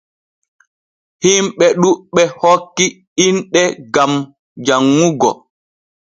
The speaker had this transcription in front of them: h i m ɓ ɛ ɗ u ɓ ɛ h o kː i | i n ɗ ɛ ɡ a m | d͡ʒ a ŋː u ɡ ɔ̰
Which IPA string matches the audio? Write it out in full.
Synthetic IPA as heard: h i m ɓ ɛ ɗ u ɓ ɛ h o kː i | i n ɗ ɛ ɡ a m | d͡ʒ a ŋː u ɡ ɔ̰